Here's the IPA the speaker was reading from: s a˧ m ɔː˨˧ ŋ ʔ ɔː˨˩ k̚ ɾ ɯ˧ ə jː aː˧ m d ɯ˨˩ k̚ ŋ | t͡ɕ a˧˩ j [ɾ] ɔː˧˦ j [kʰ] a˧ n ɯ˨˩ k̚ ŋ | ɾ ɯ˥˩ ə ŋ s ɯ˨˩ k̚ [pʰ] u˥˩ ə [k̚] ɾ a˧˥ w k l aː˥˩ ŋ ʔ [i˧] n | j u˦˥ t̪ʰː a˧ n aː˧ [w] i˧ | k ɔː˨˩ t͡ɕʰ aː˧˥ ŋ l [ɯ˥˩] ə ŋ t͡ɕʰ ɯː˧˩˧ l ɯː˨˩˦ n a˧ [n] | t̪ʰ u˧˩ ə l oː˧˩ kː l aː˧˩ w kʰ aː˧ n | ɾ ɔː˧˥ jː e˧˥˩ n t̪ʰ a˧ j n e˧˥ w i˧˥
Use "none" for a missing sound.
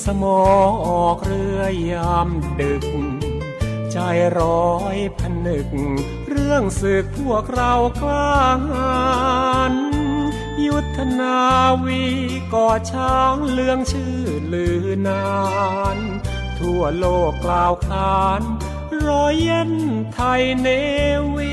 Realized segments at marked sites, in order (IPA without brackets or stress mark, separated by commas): ɾ, pʰ, pʰ, k̚, a˧, w, ɯ˧˥, n